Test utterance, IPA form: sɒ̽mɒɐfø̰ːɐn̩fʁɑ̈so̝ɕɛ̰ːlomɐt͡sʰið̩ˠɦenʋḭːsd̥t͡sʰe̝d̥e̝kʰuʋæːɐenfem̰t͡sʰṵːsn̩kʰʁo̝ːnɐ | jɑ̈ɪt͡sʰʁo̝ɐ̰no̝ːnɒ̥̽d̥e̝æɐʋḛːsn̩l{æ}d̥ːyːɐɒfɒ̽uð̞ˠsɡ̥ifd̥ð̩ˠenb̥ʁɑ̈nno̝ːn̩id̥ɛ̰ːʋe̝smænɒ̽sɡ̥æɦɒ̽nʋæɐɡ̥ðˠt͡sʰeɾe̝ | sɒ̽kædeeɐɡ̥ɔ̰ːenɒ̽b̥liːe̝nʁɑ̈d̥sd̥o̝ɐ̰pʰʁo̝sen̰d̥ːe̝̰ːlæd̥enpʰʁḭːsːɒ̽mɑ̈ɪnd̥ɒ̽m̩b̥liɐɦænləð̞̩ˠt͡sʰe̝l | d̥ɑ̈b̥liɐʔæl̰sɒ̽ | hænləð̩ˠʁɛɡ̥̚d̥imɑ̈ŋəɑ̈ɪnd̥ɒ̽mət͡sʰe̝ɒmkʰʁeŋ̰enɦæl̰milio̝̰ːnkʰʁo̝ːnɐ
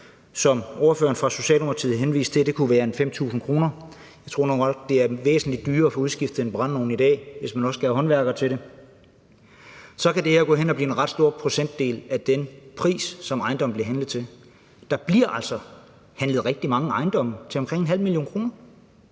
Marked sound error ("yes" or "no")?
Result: yes